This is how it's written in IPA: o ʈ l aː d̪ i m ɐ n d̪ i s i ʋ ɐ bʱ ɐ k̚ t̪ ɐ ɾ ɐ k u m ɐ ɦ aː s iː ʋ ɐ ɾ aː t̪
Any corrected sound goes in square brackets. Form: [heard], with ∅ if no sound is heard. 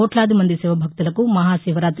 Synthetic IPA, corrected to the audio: o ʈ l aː d̪ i m ɐ n d̪ i s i ʋ ɐ bʱ ɐ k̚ t̪ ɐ [l] ɐ k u m ɐ ɦ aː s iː ʋ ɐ ɾ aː t̪